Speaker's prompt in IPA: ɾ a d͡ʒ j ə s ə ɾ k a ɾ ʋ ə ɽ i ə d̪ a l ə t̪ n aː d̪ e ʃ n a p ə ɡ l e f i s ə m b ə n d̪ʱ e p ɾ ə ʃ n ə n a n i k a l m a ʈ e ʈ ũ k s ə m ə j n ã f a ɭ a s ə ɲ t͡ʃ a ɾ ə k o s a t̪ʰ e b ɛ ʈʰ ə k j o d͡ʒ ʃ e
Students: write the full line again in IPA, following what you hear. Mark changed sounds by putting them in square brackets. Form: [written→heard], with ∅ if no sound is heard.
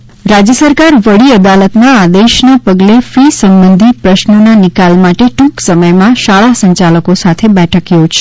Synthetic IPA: ɾ a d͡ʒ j ə s ə ɾ k a ɾ ʋ ə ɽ i ə d̪ a l ə t̪ n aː d̪ e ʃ n a p ə ɡ l e f i s ə m b ə n d̪ʱ [e→i] p ɾ ə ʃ n ə n a n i k a l m a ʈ e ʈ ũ k s ə m ə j [n→m] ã [f→ʃ] a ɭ a s ə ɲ t͡ʃ a [ɾ→l] ə k o s a t̪ʰ e b ɛ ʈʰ ə k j o d͡ʒ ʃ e

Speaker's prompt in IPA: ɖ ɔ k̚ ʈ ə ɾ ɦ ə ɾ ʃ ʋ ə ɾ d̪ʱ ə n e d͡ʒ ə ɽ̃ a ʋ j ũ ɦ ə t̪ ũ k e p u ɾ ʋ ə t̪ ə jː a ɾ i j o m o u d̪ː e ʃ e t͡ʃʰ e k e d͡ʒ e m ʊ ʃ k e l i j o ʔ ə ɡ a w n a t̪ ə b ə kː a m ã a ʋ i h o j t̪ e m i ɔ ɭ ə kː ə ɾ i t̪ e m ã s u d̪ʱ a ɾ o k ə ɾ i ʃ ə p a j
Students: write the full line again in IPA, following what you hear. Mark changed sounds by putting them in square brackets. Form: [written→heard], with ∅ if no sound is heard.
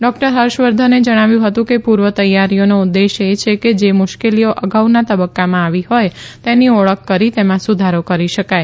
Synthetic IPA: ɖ ɔ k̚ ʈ ə ɾ ɦ ə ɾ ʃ ʋ ə ɾ d̪ʱ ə n e d͡ʒ ə ɽ̃ a ʋ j ũ ɦ ə t̪ ũ k e p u ɾ ʋ ə t̪ ə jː a ɾ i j o [m→n] o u d̪ː e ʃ e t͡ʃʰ e k e d͡ʒ e m ʊ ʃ k e l i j o ʔ ə ɡ a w n a t̪ ə b ə kː a m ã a ʋ i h o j t̪ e [m→n] i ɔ ɭ ə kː ə ɾ i t̪ e m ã s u d̪ʱ a ɾ o k ə ɾ i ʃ ə [p→k] a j

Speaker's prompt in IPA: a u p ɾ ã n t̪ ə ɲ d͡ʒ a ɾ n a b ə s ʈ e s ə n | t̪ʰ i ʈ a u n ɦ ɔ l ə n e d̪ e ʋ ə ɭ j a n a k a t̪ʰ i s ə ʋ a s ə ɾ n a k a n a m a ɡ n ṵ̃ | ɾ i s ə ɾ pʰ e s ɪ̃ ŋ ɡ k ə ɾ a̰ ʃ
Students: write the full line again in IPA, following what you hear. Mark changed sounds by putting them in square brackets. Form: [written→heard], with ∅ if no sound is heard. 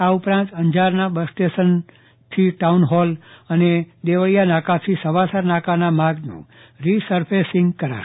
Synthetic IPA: a u p ɾ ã n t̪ ə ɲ d͡ʒ a ɾ n a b ə s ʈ e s ə n | t̪ʰ i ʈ a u n ɦ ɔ l ə n e d̪ e ʋ ə ɭ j a n a k a t̪ʰ i s ə ʋ a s ə ɾ n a k a n a m a ɡ n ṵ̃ | ɾ i s ə ɾ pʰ e s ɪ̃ ŋ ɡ k ə ɾ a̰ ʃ

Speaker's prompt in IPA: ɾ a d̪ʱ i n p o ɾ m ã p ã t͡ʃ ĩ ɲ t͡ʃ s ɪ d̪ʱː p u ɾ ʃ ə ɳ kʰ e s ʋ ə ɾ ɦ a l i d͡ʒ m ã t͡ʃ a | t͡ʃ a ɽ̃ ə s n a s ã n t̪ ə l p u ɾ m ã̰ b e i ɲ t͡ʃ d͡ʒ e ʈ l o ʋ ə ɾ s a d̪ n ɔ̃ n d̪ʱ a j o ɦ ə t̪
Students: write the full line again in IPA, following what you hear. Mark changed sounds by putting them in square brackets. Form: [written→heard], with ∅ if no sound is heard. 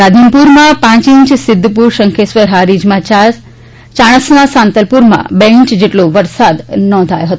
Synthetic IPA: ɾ a d̪ʱ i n p [o→u] ɾ m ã p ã t͡ʃ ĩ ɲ t͡ʃ s ɪ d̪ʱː p u ɾ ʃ ə [ɳ→ŋ] kʰ e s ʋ ə ɾ ɦ a [l→ɾ] i d͡ʒ m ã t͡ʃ a | t͡ʃ a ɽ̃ ə s n a s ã n t̪ ə l p u ɾ m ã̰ b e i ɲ t͡ʃ d͡ʒ e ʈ l o ʋ ə ɾ s a d̪ n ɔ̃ n d̪ʱ a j o ɦ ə t̪

